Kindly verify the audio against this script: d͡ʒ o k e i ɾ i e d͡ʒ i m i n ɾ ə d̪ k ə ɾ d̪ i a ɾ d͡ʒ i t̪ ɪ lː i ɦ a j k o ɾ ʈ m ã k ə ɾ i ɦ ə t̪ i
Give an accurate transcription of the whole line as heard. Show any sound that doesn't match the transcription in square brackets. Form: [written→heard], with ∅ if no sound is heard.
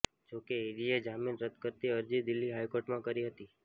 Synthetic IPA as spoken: d͡ʒ o k e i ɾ i e d͡ʒ [i→a] m i n ɾ ə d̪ k ə ɾ [d̪→t̪] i [a→ə] ɾ d͡ʒ i [t̪→d̪] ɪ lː i ɦ a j k o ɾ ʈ m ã k ə ɾ i ɦ ə t̪ i